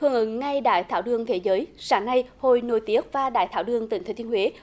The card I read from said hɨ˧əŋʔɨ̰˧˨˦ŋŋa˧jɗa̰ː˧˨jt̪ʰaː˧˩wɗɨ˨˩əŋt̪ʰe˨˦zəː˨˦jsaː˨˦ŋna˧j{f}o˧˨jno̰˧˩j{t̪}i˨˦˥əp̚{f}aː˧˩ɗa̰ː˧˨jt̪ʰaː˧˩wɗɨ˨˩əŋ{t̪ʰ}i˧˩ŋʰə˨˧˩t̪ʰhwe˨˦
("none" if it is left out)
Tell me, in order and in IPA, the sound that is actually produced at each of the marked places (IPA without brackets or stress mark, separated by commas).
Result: h, t̪, v, t̪